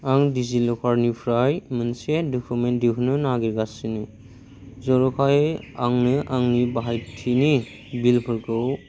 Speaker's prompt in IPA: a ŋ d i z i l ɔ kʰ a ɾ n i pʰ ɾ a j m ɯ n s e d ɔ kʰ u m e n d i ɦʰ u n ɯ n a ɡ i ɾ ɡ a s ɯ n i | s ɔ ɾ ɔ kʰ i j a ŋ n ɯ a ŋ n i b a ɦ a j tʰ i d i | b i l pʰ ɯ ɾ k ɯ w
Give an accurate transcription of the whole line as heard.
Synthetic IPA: a ŋ d i z i l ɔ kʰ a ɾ n i pʰ ɾ a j m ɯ n s e d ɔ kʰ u m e n d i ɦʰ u n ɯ n a ɡ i ɾ ɡ a s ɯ n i | z ɔ ɾ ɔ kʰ a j a ŋ n ɯ a ŋ n i b a ɦ a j tʰ i n i | b i l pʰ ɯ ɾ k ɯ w